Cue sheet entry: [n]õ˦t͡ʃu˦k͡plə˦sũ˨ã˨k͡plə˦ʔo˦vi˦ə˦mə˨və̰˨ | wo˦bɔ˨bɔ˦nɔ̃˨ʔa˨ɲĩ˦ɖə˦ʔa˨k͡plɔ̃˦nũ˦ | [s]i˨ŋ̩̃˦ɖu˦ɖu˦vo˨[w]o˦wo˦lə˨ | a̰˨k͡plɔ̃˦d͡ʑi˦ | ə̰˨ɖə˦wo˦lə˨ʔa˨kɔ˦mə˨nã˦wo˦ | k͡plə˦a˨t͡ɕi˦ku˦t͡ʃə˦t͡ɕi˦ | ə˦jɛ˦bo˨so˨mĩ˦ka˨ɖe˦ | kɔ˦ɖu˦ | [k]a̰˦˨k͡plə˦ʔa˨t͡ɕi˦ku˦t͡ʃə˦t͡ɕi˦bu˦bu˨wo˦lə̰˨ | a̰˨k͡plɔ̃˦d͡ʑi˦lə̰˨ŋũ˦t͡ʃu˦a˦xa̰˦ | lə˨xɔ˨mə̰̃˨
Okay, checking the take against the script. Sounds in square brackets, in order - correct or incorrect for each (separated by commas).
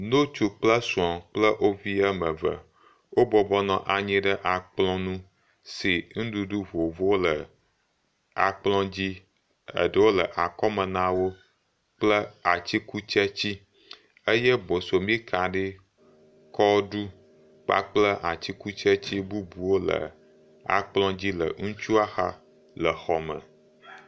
correct, correct, incorrect, incorrect